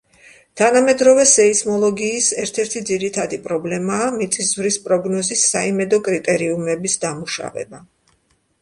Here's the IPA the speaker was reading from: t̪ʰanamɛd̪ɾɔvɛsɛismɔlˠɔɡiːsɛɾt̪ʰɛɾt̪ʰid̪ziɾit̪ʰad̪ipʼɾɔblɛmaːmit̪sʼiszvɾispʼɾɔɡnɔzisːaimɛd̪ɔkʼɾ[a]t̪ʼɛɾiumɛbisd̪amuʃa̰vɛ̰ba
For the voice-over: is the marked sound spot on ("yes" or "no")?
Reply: no